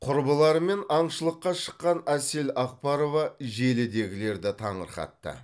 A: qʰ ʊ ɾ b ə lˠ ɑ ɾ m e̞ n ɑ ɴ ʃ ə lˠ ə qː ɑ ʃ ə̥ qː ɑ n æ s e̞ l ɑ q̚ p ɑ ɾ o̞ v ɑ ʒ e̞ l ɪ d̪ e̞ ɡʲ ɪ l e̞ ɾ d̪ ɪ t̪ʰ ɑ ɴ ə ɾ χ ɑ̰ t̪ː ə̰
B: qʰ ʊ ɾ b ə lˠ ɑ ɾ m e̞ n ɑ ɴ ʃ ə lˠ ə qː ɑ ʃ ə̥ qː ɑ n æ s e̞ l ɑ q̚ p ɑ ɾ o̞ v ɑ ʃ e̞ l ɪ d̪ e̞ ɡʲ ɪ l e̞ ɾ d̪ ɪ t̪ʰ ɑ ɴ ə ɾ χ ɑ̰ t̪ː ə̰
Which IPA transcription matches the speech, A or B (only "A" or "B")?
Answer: A